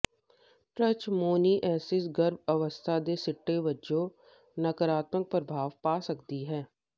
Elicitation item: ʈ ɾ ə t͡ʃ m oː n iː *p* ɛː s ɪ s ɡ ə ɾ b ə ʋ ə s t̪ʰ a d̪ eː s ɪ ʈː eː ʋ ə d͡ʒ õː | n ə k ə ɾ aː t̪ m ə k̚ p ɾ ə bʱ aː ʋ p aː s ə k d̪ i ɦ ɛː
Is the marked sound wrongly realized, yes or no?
yes